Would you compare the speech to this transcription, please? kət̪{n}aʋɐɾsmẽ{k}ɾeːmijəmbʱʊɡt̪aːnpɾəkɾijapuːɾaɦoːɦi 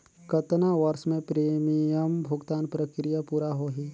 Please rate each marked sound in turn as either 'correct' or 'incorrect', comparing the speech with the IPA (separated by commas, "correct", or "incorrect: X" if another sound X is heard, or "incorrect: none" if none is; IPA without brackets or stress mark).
correct, incorrect: p